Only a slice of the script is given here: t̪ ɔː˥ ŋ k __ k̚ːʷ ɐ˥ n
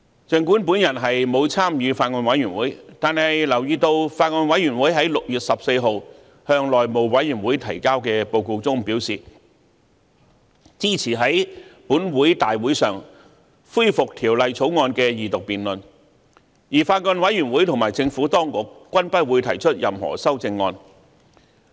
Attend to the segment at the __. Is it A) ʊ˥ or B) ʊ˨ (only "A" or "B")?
B